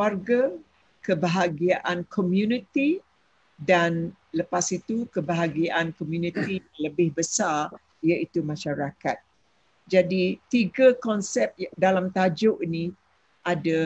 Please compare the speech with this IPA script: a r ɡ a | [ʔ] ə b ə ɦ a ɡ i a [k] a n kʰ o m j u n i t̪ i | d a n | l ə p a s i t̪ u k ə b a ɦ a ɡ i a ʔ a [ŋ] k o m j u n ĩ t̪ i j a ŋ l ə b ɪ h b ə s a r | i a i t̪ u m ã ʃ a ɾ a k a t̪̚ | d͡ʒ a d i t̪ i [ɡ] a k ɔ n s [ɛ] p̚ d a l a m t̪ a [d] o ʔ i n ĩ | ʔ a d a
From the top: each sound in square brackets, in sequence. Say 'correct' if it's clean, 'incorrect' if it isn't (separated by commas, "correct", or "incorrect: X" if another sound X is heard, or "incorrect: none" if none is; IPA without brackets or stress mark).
incorrect: k, incorrect: ʔ, incorrect: n, correct, correct, incorrect: d͡ʒ